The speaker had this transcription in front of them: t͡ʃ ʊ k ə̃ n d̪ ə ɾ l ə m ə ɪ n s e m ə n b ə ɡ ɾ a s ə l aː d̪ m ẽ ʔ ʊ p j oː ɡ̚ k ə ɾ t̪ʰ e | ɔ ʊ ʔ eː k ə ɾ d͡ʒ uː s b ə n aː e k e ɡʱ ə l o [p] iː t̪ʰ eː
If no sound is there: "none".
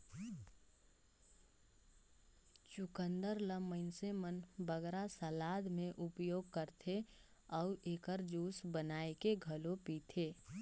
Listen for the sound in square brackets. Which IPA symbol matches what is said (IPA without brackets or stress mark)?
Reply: p